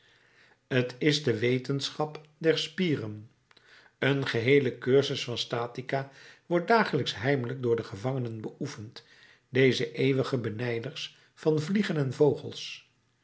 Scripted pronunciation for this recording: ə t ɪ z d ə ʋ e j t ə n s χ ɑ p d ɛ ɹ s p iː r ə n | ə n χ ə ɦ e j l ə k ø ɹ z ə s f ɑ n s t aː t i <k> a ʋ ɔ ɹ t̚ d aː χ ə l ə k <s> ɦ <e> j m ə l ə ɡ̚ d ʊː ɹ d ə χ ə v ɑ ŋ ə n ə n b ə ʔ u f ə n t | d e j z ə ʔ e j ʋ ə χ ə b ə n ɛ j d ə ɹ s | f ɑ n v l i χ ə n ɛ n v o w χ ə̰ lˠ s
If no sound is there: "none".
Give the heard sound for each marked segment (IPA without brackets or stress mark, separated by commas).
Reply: k, s, ɛ